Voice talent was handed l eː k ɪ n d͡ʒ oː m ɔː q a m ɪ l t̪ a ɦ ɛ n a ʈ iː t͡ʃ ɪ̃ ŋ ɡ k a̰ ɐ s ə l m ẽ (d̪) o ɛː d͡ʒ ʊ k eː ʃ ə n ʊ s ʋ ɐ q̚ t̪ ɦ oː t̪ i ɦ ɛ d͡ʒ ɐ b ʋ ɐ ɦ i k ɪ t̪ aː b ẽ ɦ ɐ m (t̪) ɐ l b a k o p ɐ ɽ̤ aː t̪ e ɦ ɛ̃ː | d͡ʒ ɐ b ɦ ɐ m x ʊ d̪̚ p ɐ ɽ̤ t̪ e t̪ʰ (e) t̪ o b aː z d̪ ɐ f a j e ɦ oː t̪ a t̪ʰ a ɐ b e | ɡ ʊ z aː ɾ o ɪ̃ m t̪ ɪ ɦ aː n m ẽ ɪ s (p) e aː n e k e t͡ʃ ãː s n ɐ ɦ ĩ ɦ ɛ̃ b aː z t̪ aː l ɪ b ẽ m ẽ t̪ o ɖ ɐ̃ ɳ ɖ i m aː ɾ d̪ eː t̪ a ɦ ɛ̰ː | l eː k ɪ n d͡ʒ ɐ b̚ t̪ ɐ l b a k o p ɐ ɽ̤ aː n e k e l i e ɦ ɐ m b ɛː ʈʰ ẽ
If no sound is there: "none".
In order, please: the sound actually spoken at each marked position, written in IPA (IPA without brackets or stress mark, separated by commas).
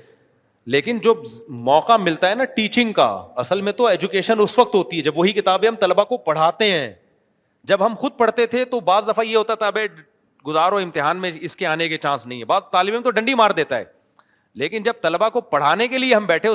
t̪, t̪, e, k